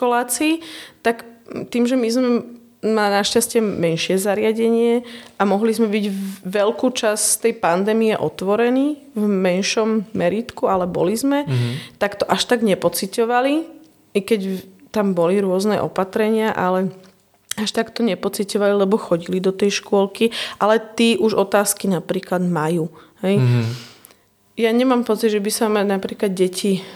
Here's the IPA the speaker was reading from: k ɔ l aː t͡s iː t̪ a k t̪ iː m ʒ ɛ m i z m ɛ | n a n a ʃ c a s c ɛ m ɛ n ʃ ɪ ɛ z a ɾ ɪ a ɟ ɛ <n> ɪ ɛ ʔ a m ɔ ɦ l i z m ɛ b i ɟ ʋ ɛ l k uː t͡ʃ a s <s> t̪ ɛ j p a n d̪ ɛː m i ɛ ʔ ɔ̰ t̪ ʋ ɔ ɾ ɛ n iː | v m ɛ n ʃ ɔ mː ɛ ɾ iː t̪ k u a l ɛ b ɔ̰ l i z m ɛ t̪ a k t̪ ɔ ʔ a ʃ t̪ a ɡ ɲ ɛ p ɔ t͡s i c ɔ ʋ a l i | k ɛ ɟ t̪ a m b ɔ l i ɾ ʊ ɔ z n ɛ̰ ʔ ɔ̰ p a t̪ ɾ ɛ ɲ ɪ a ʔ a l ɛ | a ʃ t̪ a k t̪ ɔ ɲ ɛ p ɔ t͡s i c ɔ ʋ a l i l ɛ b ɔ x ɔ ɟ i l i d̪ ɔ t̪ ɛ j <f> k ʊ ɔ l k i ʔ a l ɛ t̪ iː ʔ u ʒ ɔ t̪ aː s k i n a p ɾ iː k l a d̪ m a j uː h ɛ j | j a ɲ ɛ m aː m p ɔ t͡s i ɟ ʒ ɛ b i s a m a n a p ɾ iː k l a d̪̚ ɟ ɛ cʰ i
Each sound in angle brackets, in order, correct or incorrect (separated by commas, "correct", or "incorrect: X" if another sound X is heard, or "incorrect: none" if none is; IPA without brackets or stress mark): incorrect: ɲ, correct, incorrect: ʃ